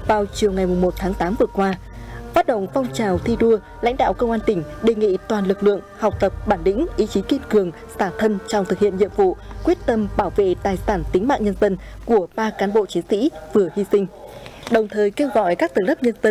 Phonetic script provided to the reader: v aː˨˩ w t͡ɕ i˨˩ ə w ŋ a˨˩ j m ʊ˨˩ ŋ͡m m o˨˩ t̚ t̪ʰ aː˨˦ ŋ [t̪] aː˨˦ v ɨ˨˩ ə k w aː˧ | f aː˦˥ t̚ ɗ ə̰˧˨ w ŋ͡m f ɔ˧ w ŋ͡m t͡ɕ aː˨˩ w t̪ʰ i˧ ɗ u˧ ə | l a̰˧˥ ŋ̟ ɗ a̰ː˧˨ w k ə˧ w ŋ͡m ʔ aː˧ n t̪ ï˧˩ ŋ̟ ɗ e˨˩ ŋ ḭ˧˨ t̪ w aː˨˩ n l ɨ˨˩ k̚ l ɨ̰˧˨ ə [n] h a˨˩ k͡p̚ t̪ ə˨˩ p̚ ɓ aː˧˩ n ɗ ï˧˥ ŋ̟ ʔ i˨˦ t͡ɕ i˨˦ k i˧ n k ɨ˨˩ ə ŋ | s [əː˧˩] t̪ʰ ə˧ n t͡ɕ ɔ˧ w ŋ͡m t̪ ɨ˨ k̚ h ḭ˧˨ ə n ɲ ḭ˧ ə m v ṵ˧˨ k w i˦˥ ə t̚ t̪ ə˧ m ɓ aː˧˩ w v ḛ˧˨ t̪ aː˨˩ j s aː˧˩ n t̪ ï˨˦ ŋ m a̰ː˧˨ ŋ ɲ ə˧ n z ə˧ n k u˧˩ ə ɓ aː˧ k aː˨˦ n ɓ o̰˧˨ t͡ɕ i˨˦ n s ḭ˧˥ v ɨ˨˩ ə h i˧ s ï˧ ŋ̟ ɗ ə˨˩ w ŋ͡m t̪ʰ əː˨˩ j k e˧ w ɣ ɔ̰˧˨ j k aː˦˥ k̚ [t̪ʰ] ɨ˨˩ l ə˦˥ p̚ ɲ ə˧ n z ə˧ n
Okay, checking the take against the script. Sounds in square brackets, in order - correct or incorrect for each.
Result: correct, incorrect, incorrect, incorrect

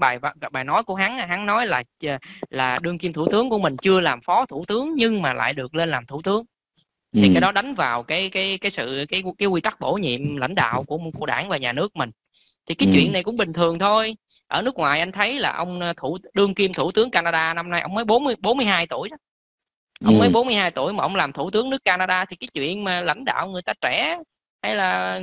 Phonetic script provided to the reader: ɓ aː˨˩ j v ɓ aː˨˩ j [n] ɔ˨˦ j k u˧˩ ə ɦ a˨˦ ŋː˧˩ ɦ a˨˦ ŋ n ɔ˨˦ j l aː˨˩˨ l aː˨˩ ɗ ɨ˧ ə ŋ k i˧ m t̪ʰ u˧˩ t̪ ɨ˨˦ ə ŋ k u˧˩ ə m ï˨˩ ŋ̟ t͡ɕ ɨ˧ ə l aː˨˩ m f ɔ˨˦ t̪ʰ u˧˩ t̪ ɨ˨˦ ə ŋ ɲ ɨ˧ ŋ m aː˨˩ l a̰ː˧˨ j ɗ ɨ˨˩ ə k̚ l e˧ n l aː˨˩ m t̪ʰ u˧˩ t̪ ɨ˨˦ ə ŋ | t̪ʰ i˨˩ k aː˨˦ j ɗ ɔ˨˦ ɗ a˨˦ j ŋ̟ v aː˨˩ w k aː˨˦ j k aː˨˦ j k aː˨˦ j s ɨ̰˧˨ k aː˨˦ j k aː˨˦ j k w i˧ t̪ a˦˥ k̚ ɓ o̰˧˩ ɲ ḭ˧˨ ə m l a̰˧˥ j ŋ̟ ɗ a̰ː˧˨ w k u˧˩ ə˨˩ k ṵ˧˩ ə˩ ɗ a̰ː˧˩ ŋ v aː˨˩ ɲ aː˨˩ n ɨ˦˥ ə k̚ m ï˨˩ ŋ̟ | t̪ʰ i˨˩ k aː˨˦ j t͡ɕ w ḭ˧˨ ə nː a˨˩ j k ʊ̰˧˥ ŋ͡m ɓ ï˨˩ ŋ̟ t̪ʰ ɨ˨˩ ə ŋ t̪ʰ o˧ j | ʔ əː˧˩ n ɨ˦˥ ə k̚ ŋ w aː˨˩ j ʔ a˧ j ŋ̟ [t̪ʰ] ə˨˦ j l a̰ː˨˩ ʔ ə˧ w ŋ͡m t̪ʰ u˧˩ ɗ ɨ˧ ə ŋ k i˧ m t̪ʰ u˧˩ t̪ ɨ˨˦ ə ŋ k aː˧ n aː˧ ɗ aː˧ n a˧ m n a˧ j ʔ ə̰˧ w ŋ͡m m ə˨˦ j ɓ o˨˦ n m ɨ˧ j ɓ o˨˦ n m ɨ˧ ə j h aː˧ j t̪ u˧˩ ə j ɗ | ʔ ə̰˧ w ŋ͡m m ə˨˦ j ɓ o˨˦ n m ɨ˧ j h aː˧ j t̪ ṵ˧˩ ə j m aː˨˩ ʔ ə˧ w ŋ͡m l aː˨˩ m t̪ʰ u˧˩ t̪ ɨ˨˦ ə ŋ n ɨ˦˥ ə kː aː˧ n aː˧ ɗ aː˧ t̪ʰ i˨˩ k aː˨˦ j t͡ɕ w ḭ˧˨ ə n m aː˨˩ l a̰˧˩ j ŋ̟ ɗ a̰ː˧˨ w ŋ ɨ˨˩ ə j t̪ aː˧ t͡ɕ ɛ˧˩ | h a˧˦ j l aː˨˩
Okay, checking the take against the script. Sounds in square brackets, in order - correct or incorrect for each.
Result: correct, correct

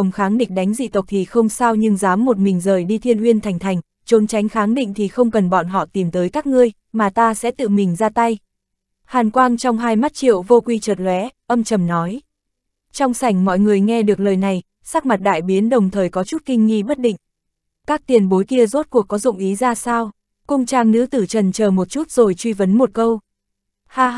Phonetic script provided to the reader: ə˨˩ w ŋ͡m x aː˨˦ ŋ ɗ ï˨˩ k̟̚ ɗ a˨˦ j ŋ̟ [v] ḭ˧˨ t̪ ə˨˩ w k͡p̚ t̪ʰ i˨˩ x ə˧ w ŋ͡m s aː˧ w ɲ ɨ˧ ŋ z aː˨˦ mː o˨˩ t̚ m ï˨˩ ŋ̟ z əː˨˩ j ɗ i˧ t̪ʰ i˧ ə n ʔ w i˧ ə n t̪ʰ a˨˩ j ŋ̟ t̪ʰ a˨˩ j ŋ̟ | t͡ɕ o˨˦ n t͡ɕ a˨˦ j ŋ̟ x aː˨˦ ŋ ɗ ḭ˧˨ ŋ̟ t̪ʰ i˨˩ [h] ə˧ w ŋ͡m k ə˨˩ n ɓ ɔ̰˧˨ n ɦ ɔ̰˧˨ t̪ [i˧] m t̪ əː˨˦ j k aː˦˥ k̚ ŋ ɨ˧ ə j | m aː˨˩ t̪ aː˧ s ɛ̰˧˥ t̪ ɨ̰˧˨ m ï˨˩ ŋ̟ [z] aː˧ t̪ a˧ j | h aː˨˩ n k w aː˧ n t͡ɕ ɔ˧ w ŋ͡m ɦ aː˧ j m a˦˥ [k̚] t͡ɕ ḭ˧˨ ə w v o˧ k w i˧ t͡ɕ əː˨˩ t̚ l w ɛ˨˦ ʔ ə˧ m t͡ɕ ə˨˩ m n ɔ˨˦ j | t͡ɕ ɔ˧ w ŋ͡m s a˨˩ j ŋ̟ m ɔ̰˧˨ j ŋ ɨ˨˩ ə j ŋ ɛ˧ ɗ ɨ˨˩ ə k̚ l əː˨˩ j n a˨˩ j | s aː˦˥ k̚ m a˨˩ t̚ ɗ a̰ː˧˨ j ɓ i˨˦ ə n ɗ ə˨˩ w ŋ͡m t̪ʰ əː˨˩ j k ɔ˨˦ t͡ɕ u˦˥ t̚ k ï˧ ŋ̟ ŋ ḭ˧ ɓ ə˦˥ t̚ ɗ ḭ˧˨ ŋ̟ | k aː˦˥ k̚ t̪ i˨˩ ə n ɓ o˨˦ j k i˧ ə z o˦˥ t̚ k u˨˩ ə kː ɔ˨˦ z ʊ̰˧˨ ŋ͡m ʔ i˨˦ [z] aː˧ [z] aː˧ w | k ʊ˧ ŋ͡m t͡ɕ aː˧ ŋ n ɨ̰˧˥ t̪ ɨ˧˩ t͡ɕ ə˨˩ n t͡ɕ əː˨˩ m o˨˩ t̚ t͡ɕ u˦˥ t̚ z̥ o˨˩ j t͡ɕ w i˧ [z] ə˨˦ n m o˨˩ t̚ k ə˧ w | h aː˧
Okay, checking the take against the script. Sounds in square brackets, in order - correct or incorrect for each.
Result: incorrect, incorrect, incorrect, correct, incorrect, correct, incorrect, incorrect

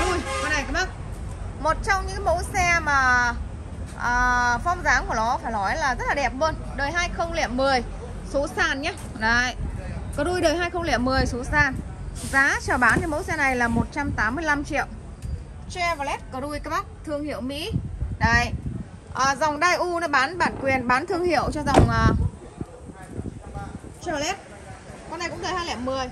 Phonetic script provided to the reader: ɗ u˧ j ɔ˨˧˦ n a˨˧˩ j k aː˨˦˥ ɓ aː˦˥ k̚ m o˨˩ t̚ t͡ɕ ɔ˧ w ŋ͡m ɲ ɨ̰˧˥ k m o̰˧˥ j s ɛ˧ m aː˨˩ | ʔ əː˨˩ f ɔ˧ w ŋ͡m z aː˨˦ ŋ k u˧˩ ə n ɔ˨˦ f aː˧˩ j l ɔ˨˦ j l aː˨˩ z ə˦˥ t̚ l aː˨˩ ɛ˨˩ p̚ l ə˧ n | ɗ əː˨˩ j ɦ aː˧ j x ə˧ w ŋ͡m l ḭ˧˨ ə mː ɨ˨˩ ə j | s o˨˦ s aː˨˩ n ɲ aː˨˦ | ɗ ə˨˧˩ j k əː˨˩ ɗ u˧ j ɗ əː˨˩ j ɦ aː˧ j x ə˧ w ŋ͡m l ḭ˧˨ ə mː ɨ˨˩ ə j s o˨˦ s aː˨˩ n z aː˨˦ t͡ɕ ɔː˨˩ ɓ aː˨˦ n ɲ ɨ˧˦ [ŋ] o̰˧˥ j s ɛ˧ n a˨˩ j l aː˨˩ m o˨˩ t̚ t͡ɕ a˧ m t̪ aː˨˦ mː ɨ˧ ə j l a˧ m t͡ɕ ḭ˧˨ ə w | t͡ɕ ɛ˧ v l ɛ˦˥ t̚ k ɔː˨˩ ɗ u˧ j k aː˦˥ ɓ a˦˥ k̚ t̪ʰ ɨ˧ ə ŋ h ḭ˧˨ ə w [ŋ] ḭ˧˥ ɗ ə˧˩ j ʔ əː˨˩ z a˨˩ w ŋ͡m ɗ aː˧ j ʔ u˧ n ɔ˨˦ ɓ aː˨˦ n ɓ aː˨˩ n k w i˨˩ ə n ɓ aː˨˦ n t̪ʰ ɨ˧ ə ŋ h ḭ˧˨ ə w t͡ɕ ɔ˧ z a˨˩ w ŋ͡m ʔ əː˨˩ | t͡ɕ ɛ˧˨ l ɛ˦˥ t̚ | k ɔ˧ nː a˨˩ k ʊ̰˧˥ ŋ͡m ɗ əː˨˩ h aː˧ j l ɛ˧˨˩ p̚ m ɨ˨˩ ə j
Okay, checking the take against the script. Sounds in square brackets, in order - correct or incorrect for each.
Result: incorrect, incorrect

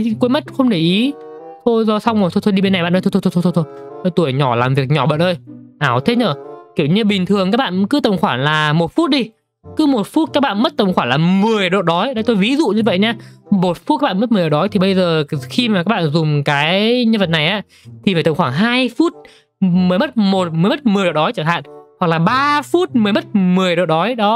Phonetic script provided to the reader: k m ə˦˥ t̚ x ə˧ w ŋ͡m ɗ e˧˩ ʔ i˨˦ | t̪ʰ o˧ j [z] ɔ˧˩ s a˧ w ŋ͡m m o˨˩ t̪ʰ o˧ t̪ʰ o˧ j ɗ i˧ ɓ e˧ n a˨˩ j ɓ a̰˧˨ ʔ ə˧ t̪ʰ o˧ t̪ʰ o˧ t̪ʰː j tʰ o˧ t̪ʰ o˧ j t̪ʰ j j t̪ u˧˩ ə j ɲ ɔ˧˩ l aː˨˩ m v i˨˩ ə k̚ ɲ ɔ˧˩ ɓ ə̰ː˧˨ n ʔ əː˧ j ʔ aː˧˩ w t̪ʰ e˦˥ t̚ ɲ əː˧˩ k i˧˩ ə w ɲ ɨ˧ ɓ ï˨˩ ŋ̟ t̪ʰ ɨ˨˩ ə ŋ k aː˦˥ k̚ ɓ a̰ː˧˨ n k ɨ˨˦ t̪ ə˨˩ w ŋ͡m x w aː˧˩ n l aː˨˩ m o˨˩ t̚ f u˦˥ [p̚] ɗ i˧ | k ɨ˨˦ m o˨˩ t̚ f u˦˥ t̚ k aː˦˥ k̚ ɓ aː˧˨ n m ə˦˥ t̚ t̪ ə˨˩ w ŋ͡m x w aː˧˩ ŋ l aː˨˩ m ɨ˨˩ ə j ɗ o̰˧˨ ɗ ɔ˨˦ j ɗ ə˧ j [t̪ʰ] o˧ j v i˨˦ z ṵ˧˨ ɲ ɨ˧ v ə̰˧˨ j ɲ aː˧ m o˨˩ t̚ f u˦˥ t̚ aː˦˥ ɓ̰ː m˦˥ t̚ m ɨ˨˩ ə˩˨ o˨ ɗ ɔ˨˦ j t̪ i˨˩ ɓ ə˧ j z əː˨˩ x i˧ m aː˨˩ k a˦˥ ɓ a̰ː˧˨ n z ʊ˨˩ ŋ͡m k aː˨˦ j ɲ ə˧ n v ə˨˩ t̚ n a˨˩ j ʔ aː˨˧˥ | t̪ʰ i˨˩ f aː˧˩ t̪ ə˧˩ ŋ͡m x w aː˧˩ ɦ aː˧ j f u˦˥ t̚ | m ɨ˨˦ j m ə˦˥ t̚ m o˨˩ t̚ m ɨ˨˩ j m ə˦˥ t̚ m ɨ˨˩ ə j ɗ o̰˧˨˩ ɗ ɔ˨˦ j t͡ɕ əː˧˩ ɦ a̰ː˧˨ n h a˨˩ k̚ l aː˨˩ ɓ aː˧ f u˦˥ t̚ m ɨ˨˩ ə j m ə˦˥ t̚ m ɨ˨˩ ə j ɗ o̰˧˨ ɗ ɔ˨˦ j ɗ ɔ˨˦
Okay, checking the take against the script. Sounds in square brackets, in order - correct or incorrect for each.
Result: correct, incorrect, incorrect

